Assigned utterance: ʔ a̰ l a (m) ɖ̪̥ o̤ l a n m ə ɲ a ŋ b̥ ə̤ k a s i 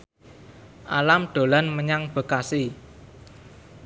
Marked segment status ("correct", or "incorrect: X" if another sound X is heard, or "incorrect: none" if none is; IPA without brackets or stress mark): correct